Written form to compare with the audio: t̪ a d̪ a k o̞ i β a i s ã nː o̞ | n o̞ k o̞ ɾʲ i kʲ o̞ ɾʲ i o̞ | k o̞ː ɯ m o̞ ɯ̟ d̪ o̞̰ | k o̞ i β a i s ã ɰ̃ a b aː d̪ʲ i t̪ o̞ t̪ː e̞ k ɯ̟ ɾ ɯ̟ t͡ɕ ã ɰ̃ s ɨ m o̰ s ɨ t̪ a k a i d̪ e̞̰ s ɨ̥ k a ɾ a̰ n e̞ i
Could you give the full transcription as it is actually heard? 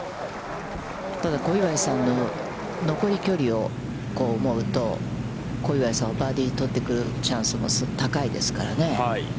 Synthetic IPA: t̪ a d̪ a k o̞ i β a i s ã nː o̞ | n o̞ k o̞ ɾʲ i kʲ o̞ ɾʲ i o̞ | k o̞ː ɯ m o̞ ɯ̟ t̪ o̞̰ | k o̞ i β a i s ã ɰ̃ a b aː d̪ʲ i t̪ o̞ t̪ː e̞ k ɯ̟ ɾ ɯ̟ t͡ɕ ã ɰ̃ s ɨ m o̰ s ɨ t̪ a k a i d̪ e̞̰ s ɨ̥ k a ɾ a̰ n e̞ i